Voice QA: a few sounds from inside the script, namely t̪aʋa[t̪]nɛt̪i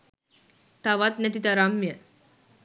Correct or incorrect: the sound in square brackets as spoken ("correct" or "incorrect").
correct